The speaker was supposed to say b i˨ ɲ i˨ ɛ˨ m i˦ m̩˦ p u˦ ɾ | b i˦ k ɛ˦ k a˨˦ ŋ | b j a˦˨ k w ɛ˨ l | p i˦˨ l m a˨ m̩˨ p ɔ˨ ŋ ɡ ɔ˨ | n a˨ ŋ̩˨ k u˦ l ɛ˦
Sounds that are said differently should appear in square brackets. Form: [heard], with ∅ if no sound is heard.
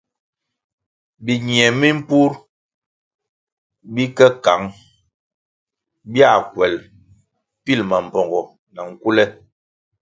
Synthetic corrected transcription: b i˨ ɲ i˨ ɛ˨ m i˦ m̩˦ p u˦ ɾ | b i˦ k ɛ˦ k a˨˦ ŋ | b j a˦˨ k w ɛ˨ l | p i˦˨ l m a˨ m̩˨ p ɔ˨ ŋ ɡ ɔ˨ | n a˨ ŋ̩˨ k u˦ l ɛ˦

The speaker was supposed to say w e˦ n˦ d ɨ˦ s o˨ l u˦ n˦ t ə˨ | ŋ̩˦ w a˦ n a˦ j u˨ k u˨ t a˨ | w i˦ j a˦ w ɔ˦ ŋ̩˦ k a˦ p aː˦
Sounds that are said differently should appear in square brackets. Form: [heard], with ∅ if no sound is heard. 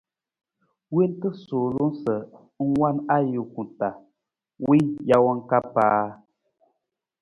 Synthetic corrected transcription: w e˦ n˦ [t] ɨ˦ s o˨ l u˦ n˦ [s] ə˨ | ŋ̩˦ w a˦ n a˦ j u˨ k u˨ t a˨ | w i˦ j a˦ w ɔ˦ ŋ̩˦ k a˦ p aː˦

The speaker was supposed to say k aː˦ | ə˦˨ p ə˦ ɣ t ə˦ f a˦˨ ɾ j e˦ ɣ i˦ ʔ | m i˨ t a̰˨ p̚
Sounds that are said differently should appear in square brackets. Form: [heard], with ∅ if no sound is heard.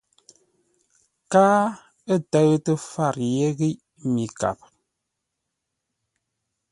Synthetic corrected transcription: k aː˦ | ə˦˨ [t] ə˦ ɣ t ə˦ f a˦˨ ɾ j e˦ ɣ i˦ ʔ | m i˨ [k] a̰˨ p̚

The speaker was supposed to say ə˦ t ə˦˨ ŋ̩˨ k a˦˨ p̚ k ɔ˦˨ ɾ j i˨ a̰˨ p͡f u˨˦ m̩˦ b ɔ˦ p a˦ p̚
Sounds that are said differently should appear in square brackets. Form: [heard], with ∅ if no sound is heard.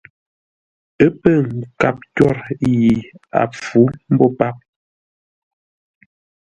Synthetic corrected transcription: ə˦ [p] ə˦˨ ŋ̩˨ k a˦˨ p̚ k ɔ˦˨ ɾ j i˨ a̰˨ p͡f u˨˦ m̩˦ b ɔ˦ p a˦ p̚

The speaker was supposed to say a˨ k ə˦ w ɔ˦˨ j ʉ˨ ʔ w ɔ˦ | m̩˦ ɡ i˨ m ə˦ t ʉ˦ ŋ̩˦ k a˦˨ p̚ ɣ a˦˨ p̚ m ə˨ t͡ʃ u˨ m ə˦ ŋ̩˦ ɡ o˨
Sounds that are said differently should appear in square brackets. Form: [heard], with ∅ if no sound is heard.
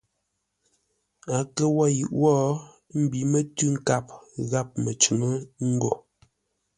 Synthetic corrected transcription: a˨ k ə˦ w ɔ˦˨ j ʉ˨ ʔ w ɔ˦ | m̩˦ [b] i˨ m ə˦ t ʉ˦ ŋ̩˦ k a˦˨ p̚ ɣ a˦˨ p̚ m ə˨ t͡ʃ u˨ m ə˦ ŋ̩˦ ɡ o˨

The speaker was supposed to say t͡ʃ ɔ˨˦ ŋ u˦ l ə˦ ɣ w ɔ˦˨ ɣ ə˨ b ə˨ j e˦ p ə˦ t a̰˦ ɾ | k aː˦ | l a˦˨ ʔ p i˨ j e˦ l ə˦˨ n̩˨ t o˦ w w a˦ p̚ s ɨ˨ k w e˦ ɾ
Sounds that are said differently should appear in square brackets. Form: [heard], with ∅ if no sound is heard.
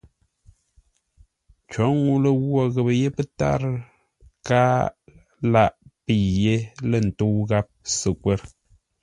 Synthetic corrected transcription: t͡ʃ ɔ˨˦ ŋ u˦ l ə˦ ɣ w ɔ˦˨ ɣ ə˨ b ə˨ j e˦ p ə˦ t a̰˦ ɾ | k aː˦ | l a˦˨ ʔ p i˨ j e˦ l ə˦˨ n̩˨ t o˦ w [ɣ] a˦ p̚ s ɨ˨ k w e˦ ɾ

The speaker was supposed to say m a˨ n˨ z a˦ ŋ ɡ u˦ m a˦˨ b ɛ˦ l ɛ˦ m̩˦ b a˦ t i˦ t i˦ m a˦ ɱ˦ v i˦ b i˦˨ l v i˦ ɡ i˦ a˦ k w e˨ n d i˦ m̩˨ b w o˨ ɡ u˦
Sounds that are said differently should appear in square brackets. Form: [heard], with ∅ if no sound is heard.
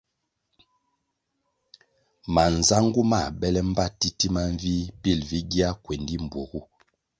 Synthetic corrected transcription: m a˨ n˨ z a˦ ŋ ɡ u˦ m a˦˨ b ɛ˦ l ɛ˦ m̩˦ b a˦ t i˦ t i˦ m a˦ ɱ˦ v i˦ b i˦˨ l v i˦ ɡ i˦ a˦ k w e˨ n d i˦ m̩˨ b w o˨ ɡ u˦

